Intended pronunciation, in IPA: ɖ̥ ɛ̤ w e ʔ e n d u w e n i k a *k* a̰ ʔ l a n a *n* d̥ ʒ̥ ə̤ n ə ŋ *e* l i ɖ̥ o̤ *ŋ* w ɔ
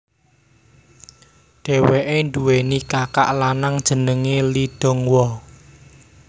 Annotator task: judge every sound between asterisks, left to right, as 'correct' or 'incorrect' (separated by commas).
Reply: correct, incorrect, correct, correct